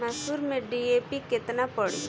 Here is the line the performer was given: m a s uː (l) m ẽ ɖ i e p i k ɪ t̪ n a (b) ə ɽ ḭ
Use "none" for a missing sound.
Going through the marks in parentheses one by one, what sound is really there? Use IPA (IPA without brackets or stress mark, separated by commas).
ɾ, p